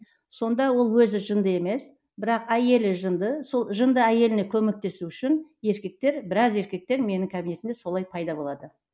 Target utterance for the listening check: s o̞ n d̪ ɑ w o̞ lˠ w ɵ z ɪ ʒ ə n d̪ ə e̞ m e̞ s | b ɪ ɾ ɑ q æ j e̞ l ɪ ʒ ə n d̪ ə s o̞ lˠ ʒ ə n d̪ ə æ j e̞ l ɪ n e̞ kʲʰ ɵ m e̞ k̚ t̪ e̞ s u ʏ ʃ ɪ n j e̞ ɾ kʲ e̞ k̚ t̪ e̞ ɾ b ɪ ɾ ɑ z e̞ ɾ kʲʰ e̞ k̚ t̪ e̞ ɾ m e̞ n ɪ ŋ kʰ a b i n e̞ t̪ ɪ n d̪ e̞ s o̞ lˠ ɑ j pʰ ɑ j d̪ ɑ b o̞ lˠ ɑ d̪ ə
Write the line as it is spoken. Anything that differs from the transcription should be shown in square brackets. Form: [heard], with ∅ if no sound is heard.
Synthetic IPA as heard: s o̞ n d̪ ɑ w o̞ lˠ w ɵ z ɪ ʒ ə n d̪ ə e̞ m e̞ s | b ɪ ɾ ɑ q æ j e̞ l ɪ ʒ ə n d̪ ə s o̞ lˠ ʒ ə n d̪ ə æ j e̞ l ɪ n e̞ kʲʰ ɵ m e̞ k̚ t̪ e̞ s u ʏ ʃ ɪ n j e̞ ɾ kʲ e̞ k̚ t̪ e̞ ɾ b ɪ ɾ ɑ z e̞ ɾ [kʲ] e̞ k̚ t̪ e̞ ɾ m e̞ n ɪ ŋ kʰ a b i n e̞ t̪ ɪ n d̪ e̞ s o̞ lˠ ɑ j pʰ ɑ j d̪ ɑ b o̞ lˠ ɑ d̪ ə